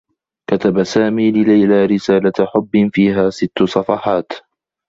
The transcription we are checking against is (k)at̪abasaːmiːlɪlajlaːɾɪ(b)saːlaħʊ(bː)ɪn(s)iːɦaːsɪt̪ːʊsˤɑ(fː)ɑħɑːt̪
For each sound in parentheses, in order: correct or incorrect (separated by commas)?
correct, incorrect, correct, incorrect, incorrect